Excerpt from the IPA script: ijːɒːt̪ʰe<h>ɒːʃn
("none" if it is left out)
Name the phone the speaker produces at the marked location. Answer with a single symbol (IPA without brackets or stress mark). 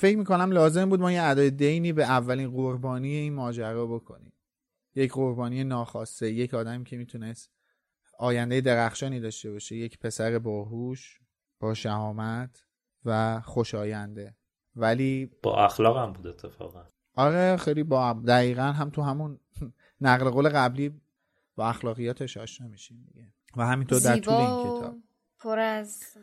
ʃ